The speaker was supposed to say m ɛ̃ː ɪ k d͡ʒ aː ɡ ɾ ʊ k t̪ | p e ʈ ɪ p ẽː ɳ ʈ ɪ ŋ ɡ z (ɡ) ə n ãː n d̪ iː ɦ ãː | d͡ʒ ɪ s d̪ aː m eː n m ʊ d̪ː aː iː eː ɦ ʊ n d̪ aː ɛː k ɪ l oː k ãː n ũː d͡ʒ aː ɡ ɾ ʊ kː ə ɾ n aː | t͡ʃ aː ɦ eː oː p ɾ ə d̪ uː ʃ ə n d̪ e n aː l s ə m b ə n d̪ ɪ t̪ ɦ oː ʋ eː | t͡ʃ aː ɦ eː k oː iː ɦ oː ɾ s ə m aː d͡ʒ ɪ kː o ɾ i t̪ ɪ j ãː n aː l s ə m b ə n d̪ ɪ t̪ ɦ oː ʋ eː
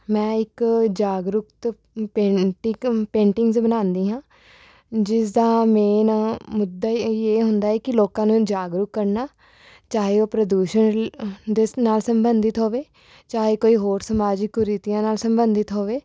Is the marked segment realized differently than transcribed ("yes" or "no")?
yes